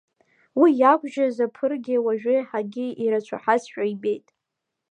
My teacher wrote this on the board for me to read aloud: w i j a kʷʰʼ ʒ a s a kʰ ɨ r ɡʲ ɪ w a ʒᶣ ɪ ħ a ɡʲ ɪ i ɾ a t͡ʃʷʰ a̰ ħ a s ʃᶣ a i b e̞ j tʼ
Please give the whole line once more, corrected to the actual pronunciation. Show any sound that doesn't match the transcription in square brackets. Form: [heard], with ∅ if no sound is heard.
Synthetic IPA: w i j a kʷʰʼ ʒ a [z] a [pʰ] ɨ r ɡʲ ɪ w a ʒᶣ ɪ ħ a ɡʲ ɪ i ɾ a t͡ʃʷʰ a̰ ħ a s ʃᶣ a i b e̞ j tʼ